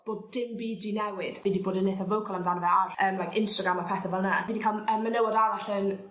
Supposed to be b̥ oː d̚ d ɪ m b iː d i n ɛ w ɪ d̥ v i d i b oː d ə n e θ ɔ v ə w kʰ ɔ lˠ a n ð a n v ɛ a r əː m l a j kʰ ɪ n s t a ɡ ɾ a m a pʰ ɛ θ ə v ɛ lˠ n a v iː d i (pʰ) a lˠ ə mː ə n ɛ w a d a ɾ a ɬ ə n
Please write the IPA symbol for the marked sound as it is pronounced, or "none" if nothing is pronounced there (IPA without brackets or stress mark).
kʰ